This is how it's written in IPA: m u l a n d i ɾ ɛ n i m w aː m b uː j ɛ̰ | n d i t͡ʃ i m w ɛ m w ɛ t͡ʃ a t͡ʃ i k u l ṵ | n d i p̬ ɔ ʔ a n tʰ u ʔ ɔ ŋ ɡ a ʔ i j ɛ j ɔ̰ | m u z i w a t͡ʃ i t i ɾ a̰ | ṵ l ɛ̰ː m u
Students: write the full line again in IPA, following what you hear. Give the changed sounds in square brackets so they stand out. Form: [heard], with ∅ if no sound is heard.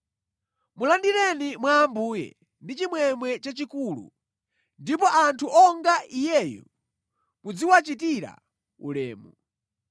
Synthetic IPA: m u l a n d i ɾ ɛ n i m w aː m b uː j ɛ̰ | n d i t͡ʃ i m w ɛ m w ɛ t͡ʃ a t͡ʃ i k u l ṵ | n d i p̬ ɔ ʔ a n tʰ u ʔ ɔ ŋ ɡ a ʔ i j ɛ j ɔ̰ | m u [d͡z] i w a t͡ʃ i t i ɾ a̰ | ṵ l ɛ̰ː m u